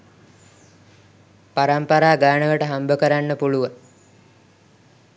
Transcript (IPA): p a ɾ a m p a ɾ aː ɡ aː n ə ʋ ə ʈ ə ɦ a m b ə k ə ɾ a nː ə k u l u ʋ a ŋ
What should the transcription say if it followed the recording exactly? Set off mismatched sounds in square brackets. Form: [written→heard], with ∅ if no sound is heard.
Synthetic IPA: p a ɾ a m p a ɾ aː ɡ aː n ə ʋ ə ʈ ə ɦ a m b ə k ə ɾ a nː ə [k→p] u l u ʋ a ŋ